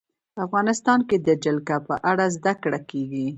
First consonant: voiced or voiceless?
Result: voiceless